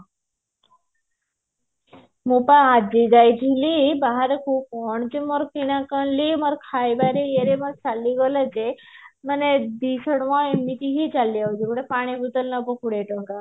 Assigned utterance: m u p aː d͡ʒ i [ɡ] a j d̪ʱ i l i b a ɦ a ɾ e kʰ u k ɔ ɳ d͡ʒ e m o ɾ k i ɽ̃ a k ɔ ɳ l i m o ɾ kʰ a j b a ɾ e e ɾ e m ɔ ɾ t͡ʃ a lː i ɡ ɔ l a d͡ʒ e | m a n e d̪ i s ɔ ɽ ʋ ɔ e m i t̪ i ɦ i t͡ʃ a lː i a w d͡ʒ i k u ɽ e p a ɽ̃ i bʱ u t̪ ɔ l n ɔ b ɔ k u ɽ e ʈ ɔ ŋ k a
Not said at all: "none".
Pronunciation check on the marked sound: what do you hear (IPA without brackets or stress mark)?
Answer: ɡ